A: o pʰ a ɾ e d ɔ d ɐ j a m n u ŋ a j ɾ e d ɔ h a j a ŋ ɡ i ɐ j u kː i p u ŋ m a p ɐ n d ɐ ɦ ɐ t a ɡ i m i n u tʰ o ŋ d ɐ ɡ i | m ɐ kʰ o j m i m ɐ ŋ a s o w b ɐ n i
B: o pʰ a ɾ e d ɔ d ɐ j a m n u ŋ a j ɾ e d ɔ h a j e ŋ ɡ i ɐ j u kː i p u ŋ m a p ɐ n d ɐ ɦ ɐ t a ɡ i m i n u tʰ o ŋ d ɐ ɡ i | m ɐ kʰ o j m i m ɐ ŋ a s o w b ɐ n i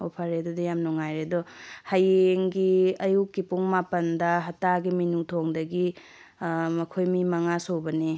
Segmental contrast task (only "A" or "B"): B